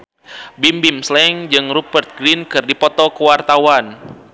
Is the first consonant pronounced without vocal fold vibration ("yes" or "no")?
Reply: no